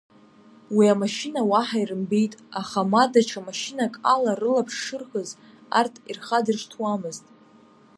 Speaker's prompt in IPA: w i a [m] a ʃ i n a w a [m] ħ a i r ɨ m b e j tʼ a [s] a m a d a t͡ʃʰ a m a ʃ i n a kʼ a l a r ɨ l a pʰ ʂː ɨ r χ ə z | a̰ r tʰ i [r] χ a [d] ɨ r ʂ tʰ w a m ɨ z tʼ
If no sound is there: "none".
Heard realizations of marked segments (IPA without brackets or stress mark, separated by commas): m, none, χ, r, d